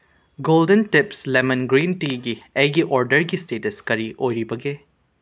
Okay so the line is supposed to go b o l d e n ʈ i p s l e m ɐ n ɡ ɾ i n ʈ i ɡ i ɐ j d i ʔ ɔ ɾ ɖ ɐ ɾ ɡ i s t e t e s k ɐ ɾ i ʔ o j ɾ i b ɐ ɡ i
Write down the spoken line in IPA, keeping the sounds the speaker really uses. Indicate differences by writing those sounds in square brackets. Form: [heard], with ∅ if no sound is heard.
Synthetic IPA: [ɡ] o l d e n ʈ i p s l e m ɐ n ɡ ɾ i n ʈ i ɡ i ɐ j [ɡ] i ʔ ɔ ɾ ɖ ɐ ɾ ɡ i s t e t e s k ɐ ɾ i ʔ o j ɾ i b ɐ ɡ [e]